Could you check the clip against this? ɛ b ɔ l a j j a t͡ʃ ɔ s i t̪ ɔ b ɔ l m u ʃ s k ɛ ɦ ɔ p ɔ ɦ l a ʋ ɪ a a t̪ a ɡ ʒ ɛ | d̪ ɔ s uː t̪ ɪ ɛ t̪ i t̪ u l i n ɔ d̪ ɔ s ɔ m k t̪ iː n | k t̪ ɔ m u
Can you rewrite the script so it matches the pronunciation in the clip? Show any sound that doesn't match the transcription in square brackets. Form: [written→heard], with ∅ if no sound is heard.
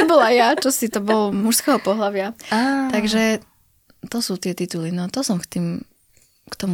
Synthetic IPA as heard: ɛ b ɔ l a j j a t͡ʃ ɔ s i t̪ ɔ b ɔ l m u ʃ s k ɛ ɦ ɔ p ɔ ɦ l a ʋ ɪ a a t̪ a ɡ ʒ ɛ | [d̪→t̪] ɔ s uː t̪ ɪ ɛ t̪ i t̪ u l i n ɔ [d̪→t̪] ɔ s ɔ m k t̪ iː [n→m] | k t̪ ɔ m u